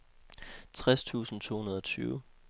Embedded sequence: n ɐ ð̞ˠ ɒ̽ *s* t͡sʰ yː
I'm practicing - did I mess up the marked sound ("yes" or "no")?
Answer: yes